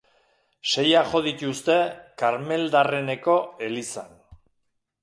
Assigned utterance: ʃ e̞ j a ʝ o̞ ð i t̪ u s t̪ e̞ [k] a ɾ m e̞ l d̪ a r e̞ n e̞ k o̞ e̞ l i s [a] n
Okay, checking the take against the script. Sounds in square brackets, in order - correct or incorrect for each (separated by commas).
correct, correct